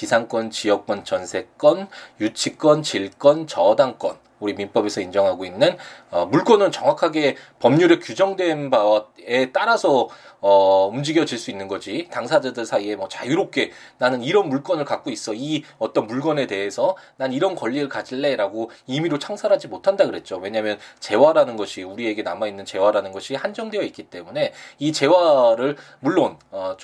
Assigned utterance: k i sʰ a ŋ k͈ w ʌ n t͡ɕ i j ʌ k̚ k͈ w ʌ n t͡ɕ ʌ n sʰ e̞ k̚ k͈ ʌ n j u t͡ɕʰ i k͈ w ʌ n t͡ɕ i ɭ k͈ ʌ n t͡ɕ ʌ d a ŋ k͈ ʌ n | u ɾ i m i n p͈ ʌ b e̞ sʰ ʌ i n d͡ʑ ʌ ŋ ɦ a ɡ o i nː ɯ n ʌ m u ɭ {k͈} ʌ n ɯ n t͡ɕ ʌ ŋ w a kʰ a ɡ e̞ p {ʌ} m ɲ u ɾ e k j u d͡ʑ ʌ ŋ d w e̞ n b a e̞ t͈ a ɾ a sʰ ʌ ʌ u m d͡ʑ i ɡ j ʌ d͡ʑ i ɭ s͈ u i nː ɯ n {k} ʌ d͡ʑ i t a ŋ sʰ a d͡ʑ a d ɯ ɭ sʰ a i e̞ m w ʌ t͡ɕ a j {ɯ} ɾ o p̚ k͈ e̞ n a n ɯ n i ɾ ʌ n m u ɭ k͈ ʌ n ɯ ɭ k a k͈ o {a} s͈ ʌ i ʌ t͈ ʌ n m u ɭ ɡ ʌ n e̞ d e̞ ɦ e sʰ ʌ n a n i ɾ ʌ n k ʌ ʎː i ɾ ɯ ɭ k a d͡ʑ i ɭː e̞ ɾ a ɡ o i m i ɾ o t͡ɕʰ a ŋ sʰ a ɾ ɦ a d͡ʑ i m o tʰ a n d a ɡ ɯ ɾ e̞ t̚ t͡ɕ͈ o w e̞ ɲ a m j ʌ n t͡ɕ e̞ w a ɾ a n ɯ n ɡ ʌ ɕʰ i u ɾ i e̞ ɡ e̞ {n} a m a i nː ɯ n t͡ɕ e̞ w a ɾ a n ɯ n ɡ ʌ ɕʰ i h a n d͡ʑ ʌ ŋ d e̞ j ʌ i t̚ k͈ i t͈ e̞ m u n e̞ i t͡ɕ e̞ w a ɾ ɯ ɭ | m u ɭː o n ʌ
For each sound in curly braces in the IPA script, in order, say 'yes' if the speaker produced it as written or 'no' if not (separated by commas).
yes, yes, no, no, no, yes